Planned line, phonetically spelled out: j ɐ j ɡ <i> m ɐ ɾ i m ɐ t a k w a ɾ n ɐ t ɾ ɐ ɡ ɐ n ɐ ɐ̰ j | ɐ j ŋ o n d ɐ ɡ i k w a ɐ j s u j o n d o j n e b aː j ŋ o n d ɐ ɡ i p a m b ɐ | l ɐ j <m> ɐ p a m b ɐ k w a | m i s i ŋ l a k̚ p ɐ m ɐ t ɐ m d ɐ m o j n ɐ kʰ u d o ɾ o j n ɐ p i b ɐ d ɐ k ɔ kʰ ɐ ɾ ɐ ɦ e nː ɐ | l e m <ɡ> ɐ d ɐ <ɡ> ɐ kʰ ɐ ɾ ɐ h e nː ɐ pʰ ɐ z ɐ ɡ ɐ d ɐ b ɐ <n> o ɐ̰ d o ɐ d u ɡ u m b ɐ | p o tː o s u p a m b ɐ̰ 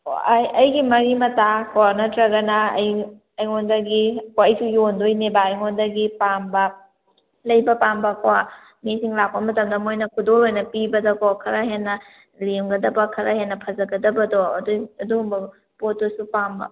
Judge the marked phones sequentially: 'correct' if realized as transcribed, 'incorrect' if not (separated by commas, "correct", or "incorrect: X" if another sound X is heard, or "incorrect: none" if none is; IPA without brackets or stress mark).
correct, incorrect: b, correct, incorrect: b, incorrect: d